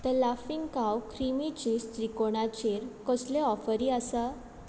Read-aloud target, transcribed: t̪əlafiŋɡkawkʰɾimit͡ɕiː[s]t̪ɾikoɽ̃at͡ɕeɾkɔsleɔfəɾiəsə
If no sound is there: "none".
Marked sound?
s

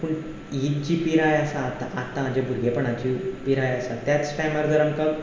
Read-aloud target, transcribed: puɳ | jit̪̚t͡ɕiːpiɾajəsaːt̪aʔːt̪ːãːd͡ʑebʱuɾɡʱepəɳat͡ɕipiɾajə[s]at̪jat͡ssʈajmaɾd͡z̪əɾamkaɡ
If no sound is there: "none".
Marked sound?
s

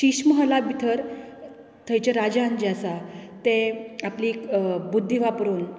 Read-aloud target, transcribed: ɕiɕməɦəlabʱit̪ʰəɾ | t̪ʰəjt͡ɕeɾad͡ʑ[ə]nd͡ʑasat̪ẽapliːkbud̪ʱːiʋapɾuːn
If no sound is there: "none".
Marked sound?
a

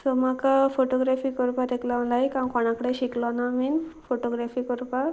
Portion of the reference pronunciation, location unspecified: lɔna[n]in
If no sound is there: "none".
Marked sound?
m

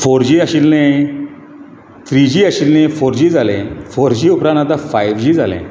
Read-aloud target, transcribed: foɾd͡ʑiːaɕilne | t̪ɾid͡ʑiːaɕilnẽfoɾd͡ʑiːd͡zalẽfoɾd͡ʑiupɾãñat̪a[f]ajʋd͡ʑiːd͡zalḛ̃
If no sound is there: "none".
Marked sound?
f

